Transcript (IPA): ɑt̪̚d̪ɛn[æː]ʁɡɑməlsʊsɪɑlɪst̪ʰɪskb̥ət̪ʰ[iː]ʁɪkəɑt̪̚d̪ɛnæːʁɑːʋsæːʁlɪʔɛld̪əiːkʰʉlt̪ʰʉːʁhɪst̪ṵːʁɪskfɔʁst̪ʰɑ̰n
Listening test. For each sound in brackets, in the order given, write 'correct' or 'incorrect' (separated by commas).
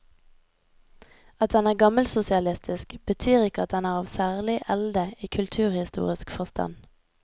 correct, incorrect